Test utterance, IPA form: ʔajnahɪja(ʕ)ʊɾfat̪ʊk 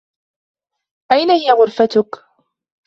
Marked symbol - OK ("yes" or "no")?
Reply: no